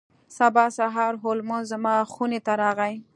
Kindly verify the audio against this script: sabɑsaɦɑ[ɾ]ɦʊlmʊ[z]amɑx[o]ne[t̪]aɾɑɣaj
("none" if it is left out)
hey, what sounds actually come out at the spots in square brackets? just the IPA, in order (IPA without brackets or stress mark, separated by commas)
ɾ, z, u, t̪